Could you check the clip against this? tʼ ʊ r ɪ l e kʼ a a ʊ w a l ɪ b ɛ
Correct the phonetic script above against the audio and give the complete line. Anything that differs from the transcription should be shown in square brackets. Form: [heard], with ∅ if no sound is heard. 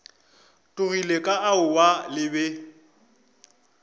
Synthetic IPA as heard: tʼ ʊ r [i] l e kʼ a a ʊ w a l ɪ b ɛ